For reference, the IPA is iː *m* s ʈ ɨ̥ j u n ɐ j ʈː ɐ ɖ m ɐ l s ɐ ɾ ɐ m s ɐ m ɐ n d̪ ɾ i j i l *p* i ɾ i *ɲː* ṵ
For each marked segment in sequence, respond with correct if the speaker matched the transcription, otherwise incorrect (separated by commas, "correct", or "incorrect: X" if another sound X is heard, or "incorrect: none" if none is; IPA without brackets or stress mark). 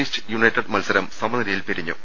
incorrect: none, correct, correct